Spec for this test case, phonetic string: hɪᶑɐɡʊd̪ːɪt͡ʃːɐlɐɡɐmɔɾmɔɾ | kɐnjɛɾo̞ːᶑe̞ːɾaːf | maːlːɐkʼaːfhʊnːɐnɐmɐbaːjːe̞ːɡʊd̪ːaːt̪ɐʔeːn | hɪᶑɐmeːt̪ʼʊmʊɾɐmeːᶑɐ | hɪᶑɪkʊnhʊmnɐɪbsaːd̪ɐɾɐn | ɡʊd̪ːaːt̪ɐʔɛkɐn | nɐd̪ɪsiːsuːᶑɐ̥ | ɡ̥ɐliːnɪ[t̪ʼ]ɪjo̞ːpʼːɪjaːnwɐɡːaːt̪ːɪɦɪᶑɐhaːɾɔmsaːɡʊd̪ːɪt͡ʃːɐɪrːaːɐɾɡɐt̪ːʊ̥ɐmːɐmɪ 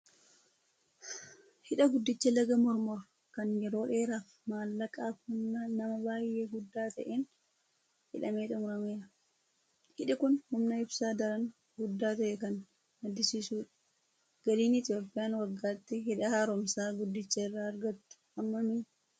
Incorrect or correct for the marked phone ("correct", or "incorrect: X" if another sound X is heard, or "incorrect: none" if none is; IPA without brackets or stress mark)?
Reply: incorrect: t̪